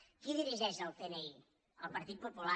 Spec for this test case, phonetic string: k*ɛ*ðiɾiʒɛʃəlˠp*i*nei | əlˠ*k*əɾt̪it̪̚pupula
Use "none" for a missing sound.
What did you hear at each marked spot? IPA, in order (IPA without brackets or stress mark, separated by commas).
i, e, p